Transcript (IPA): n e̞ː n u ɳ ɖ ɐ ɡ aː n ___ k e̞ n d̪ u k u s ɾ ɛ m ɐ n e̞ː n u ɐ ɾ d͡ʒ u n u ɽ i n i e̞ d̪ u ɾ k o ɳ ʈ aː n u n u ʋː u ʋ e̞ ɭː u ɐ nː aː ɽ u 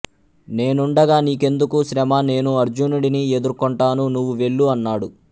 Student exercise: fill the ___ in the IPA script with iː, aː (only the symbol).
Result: iː